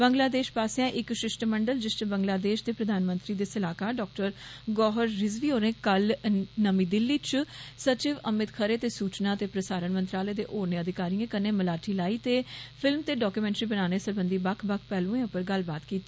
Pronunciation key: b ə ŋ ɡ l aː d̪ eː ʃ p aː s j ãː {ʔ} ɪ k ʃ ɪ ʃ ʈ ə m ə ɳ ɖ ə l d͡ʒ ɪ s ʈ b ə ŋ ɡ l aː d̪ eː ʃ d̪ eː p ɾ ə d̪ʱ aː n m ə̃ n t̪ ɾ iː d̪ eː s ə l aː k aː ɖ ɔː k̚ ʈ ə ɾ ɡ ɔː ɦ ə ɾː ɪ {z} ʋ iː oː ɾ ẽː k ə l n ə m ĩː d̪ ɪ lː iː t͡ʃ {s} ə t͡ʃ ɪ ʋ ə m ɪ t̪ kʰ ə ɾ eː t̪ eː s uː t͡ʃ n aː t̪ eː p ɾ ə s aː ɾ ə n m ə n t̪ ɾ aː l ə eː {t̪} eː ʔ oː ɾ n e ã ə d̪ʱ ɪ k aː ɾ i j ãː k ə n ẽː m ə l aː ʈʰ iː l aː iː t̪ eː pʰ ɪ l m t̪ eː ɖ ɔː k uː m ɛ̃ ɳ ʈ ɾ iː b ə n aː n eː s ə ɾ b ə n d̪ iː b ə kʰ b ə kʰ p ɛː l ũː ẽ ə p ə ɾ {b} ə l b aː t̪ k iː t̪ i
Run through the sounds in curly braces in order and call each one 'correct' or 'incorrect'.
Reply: correct, correct, correct, incorrect: d̪, incorrect: ɡ

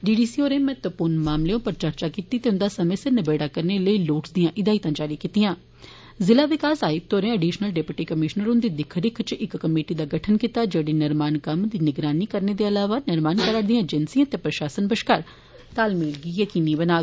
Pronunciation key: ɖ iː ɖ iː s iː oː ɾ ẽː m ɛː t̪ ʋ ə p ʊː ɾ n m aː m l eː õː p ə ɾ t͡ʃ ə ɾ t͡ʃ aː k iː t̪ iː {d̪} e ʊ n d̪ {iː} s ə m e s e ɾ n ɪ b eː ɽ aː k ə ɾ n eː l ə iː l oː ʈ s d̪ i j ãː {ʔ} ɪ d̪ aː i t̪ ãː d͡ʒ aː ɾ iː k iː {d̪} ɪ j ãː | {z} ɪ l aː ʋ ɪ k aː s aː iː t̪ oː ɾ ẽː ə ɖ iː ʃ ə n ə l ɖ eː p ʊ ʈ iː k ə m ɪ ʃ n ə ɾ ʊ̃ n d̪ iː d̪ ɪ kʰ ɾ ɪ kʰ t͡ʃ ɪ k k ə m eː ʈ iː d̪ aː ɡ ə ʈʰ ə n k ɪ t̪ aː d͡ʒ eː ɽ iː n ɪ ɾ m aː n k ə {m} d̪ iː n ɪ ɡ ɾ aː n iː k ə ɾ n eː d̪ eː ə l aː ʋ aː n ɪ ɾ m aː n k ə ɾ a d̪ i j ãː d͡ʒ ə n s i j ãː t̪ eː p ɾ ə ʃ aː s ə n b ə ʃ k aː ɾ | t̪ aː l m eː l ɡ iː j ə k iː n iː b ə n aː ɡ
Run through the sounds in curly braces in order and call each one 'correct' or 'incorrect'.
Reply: incorrect: t̪, incorrect: aː, correct, incorrect: t̪, correct, correct

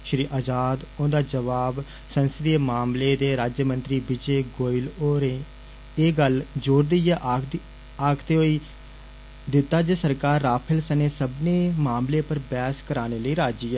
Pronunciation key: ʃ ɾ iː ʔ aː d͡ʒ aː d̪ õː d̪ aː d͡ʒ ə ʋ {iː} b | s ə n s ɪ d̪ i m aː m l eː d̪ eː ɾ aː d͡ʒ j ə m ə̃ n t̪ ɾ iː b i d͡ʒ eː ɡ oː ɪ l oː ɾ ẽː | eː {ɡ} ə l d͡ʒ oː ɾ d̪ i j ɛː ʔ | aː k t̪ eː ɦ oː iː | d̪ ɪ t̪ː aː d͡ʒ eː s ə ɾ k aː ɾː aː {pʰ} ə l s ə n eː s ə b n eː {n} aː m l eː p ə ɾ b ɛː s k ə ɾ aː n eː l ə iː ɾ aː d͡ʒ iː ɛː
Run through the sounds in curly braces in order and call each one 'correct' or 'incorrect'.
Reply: incorrect: aː, correct, correct, incorrect: m

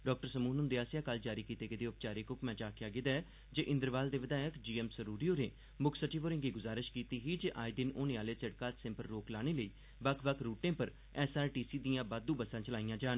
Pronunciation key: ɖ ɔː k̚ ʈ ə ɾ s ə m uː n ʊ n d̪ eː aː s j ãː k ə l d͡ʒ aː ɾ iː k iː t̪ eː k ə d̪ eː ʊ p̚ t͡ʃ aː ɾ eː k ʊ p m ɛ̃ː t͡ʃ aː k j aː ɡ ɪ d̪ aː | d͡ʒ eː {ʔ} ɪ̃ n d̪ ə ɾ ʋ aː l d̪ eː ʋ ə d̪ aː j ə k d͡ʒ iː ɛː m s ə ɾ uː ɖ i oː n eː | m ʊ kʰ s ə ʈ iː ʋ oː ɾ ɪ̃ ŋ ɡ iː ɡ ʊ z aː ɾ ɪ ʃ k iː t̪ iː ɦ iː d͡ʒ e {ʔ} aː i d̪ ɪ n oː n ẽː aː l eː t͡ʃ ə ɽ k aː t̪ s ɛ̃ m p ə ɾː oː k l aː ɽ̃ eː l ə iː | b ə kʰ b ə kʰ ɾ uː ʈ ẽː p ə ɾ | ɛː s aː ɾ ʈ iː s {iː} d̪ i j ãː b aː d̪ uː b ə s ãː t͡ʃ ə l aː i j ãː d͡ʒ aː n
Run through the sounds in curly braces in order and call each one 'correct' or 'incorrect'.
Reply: correct, correct, correct

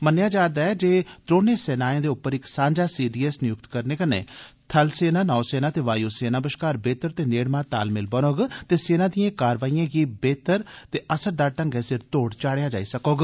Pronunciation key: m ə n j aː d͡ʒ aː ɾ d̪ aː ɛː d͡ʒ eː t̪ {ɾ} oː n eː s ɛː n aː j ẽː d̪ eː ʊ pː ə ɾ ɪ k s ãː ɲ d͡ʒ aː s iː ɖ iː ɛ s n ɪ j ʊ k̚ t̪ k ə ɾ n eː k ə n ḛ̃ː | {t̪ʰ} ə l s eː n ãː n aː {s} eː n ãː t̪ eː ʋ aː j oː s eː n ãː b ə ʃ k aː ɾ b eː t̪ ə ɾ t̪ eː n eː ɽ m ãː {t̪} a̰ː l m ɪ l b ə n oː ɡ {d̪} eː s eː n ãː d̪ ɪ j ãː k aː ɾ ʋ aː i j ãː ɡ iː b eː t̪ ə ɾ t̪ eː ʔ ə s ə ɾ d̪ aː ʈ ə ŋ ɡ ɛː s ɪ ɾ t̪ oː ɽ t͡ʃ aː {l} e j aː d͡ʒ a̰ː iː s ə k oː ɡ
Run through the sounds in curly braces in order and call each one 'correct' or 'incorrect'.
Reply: correct, correct, correct, correct, incorrect: t̪, incorrect: ɽ

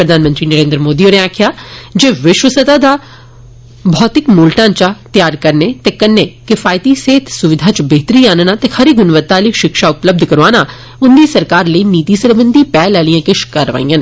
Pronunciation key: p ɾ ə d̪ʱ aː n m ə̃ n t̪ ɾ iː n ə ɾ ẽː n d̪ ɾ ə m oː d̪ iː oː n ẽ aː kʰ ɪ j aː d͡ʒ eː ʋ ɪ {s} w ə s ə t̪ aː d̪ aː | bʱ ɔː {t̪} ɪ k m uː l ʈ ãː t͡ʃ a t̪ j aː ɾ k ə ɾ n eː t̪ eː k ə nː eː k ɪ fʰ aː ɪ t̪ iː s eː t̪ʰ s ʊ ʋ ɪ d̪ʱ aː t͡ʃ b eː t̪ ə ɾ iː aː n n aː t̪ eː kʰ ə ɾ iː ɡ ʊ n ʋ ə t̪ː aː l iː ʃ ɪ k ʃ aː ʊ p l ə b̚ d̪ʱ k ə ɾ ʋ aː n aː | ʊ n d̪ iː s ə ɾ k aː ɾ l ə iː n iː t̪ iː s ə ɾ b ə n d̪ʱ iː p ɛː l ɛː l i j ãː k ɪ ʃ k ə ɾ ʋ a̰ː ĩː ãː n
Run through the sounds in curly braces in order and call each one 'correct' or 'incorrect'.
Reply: incorrect: ʃ, correct

